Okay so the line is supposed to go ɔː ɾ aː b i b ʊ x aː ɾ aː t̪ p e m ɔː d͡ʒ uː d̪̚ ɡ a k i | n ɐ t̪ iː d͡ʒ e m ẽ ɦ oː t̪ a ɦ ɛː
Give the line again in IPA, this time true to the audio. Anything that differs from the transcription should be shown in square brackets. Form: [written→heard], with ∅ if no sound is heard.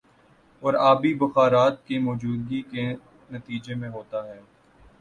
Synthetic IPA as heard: ɔː ɾ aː b i b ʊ x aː ɾ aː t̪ [p→k] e m ɔː d͡ʒ uː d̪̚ ɡ [a→i] k [i→e] | n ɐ t̪ iː d͡ʒ e m ẽ ɦ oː t̪ a ɦ ɛː